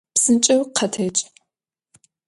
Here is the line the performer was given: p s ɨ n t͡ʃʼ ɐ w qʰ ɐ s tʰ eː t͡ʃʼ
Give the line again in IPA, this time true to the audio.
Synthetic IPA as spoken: p s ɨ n t͡ʃʼ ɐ w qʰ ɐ tʰ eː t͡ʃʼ